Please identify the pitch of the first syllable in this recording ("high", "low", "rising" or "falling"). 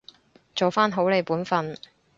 low